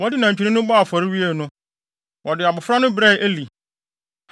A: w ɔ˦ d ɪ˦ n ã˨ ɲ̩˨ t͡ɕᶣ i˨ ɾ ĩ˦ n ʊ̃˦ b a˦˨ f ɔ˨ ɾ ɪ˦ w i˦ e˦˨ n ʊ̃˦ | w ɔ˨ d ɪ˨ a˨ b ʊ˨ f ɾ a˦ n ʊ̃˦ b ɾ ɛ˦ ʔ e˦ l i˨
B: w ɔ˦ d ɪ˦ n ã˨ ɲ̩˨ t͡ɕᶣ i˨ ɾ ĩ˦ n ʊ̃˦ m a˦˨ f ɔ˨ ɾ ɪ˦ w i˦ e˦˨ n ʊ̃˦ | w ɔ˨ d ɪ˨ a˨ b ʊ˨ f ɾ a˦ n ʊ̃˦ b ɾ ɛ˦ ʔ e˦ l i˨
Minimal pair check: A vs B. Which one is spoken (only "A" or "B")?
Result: A